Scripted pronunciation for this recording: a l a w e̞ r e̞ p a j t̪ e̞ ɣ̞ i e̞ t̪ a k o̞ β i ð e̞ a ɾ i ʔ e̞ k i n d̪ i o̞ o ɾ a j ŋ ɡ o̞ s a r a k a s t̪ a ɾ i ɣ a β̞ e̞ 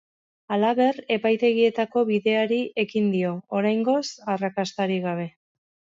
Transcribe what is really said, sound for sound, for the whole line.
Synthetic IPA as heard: a l a β e̞ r e̞ p a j t̪ e̞ ɣ̞ i e̞ t̪ a k o̞ β i ð e̞ a ɾ i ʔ e̞ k i n d̪ i o̞ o ɾ a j ŋ ɡ o̞ s a r a k a s t̪ a ɾ i ɣ a β̞ e̞